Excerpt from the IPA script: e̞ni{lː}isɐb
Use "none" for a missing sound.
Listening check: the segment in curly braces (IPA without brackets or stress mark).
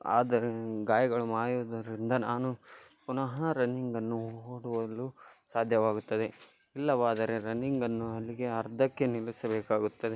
l